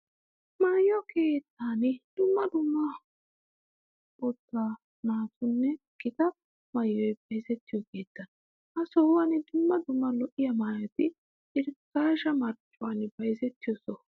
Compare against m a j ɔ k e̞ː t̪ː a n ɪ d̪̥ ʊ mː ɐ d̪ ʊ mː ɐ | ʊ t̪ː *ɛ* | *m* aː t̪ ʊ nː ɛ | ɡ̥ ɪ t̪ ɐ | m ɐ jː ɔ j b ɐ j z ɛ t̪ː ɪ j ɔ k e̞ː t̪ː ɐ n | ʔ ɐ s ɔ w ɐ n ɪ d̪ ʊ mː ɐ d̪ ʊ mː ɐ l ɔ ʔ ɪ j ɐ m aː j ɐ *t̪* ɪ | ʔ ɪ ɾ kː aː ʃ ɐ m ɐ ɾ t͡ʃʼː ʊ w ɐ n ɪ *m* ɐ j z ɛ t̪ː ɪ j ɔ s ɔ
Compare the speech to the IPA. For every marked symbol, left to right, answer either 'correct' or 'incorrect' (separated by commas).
incorrect, incorrect, correct, incorrect